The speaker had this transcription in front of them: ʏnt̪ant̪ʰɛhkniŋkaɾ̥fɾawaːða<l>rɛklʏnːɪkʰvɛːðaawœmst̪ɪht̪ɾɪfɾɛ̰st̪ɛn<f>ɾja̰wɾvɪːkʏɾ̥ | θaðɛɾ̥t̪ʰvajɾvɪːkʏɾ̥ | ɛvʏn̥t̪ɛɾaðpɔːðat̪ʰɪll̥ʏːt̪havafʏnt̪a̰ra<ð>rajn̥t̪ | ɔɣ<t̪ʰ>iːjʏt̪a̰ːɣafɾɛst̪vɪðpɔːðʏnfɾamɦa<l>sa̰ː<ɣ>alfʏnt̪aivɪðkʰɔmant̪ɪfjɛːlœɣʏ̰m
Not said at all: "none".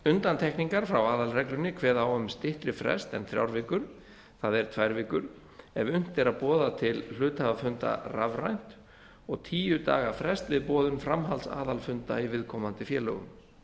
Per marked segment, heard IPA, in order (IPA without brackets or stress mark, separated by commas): l, θ, v, t̪ʰ, l, ð